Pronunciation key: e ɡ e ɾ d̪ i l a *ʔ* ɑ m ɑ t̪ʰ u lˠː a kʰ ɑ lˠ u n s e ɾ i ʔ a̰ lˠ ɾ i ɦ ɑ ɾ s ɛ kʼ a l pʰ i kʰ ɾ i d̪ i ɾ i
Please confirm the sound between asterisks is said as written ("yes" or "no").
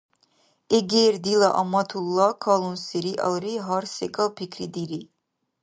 yes